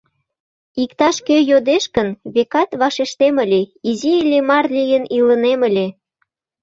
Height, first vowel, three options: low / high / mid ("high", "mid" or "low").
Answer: high